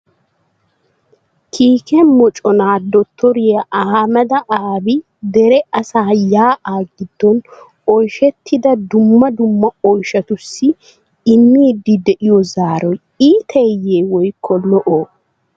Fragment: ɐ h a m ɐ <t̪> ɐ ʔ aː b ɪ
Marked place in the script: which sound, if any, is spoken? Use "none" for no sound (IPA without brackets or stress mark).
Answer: d̪